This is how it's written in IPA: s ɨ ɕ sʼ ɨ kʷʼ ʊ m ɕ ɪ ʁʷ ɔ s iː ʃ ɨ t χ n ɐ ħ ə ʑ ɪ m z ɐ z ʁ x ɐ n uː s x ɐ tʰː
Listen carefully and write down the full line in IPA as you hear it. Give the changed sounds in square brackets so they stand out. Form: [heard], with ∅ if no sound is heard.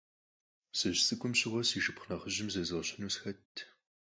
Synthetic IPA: s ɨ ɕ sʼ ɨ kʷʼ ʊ m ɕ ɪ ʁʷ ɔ s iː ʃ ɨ [p] χ n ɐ [χ] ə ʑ ɪ m z ɐ z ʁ [ɕ] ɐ n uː s x ɐ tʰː